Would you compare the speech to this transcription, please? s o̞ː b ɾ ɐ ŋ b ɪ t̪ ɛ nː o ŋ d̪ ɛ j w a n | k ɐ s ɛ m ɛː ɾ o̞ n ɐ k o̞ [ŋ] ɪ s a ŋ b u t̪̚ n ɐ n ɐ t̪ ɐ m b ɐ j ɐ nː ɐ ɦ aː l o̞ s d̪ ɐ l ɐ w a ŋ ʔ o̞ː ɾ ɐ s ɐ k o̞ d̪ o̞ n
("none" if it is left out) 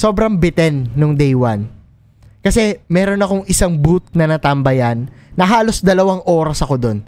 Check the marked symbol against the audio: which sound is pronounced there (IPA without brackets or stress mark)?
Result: ŋ